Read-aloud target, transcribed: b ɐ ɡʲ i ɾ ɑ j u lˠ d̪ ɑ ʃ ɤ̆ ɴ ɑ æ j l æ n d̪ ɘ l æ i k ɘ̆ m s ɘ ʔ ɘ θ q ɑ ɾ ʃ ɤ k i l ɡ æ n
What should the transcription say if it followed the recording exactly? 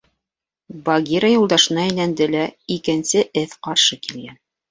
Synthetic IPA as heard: b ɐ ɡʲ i ɾ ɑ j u lˠ d̪ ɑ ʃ ɤ̆ n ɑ æ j l æ n d̪ ɘ l æ i k ɘ̆ n s ɘ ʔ ɘ θ q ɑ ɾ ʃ ɤ k i l ɡ æ n